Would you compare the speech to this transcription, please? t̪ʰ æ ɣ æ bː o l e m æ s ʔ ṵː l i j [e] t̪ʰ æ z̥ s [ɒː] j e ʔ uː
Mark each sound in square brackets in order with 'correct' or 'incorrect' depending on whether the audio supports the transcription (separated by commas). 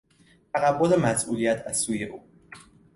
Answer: incorrect, incorrect